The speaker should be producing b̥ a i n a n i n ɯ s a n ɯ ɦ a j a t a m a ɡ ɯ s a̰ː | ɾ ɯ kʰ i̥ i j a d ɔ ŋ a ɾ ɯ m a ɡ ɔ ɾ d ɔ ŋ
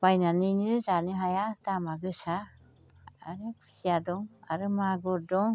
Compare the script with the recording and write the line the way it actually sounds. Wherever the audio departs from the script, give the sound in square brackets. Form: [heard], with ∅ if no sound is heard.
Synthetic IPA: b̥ a [j] n a n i n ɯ [z] a n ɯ ɦ a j a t a m a ɡ ɯ s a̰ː | ɾ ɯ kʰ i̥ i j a d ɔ ŋ a ɾ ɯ m a ɡ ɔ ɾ d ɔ ŋ

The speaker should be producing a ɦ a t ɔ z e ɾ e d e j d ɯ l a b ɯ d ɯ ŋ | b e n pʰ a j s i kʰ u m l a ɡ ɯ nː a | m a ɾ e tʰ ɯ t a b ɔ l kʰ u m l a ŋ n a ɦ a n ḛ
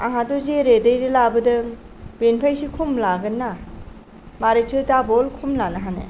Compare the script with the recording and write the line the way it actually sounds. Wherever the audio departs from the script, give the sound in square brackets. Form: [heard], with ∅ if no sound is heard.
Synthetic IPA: a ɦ a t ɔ z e ɾ e d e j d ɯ l a b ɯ d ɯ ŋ | b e n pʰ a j s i kʰ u m l a ɡ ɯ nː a | m a ɾ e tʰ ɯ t a b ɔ l kʰ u m l a [∅] n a ɦ a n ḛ

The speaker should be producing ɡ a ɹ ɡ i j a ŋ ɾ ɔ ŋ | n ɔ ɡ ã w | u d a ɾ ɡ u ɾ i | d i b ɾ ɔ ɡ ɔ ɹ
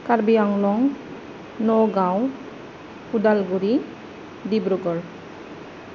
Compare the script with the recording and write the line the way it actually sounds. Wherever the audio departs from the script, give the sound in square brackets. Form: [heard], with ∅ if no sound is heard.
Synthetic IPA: [k] a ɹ [b] i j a ŋ [l] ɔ ŋ | n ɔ ɡ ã w | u d a [l] ɡ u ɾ i | d i b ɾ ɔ ɡ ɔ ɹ

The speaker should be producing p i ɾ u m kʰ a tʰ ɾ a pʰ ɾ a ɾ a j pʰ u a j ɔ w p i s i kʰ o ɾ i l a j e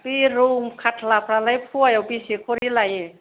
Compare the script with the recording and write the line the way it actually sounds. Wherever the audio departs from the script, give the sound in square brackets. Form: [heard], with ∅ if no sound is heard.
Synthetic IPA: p i ɾ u m kʰ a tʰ [l] a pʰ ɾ a [l] a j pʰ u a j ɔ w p i s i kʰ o ɾ i l a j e

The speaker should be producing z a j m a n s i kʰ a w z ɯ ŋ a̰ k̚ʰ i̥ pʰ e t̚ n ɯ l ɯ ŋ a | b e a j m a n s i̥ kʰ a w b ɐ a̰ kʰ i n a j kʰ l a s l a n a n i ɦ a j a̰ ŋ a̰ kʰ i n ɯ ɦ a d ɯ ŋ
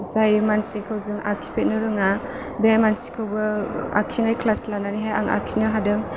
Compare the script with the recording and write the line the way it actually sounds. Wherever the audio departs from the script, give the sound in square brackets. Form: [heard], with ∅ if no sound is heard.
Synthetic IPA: z a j m a n s i kʰ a w z ɯ ŋ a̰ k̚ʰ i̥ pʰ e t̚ n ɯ [ɾ] ɯ ŋ a | b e a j m a n s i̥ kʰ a w b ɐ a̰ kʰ i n a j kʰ l a s l a n a n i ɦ a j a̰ ŋ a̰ kʰ i n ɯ ɦ a d ɯ ŋ

